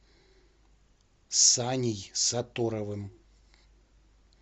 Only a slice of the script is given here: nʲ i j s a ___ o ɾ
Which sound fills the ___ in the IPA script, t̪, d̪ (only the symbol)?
t̪